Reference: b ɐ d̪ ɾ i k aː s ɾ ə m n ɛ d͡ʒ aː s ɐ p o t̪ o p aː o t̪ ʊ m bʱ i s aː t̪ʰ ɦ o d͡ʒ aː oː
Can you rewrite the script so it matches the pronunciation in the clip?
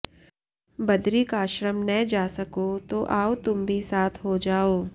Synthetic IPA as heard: b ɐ d̪ ɾ i k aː ʃ ɾ ə m n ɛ d͡ʒ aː s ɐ k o t̪ o ʔ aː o t̪ ʊ m bʱ i s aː t̪ʰ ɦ o d͡ʒ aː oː